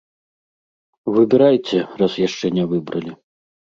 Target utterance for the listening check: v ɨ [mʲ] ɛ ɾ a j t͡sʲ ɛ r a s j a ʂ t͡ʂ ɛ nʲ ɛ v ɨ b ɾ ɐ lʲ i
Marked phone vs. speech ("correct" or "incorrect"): incorrect